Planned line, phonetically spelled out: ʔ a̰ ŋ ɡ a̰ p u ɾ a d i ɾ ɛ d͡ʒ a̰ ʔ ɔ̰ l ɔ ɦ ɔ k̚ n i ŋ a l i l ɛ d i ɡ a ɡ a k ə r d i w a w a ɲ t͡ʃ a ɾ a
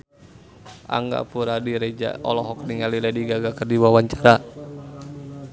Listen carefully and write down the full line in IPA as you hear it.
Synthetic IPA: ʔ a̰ ŋ ɡ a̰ p u ɾ a d i ɾ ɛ d͡ʒ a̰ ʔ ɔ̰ l ɔ ɦ ɔ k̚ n i ŋ a l i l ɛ d i ɡ a ɡ a k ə r d i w a w a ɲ t͡ʃ a ɾ a